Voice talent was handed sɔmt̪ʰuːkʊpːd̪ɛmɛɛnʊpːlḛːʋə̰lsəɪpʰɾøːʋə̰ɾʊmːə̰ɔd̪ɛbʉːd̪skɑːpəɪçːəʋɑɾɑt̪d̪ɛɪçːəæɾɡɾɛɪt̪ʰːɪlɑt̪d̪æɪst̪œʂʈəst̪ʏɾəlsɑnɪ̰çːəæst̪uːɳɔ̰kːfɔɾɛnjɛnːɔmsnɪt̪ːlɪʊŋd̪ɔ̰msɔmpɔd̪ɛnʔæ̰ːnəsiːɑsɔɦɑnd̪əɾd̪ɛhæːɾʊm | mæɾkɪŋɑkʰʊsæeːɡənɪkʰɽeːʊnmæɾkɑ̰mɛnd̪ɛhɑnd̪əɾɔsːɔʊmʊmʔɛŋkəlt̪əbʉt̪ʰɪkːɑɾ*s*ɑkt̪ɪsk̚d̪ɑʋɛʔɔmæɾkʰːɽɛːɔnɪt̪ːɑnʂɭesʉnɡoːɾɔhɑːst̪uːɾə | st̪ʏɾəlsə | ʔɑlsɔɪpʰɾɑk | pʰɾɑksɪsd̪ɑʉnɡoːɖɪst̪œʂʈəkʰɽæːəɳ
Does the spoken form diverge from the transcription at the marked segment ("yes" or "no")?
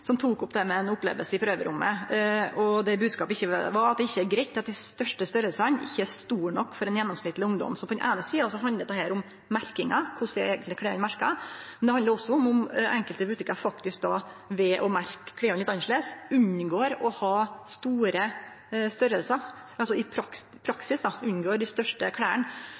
yes